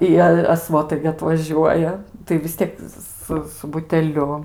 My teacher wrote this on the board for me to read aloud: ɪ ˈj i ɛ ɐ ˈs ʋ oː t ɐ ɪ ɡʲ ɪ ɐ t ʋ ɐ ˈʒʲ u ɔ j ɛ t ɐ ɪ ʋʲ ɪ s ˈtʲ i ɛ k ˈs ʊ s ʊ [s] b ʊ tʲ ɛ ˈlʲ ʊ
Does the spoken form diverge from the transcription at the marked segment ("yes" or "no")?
yes